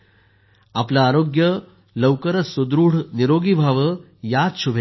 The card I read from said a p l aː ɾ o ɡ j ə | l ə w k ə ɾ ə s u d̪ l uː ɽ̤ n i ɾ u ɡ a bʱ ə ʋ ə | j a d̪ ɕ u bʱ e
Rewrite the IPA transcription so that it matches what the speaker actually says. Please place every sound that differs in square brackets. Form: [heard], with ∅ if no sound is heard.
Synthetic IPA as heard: a p l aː ɾ o ɡ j ə | l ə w k ə ɾ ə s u d̪ [ɾ] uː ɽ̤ n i ɾ [o] ɡ [i] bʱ [a] ʋ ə | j a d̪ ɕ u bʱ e